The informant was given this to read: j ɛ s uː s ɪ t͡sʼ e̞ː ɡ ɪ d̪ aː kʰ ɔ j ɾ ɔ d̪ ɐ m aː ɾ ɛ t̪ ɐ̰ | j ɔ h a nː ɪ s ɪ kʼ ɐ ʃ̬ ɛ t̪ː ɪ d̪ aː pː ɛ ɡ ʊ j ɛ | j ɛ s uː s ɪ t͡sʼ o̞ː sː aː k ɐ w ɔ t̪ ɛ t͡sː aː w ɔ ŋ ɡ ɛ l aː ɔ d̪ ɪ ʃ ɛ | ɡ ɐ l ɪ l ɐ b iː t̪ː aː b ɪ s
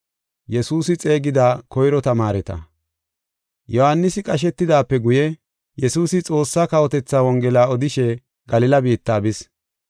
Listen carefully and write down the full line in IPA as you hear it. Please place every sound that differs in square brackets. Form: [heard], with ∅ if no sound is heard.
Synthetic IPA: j ɛ s uː s ɪ t͡sʼ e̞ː ɡ ɪ d̪ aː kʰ ɔ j ɾ ɔ [t̪] ɐ m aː ɾ ɛ t̪ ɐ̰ | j ɔ h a nː ɪ s ɪ kʼ ɐ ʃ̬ ɛ t̪ː ɪ d̪ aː pː ɛ ɡ ʊ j ɛ | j ɛ s uː s ɪ t͡sʼ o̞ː sː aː k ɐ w ɔ t̪ ɛ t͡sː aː w ɔ ŋ ɡ ɛ l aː ɔ d̪ ɪ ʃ ɛ | ɡ ɐ l ɪ l ɐ b iː t̪ː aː b ɪ s